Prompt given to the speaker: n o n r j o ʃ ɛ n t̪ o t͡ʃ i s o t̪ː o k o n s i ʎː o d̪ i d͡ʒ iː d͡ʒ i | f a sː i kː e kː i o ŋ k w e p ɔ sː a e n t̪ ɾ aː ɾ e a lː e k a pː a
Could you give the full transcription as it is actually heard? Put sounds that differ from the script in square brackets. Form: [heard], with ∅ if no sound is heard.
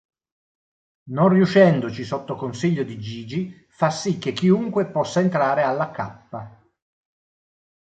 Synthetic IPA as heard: n o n r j [u] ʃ ɛ n [d̪] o t͡ʃ i s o t̪ː o k o n s i ʎː o d̪ i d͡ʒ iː d͡ʒ i | f a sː i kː e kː i [u] ŋ k w e p ɔ sː a e n t̪ ɾ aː ɾ e a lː [a] k a pː a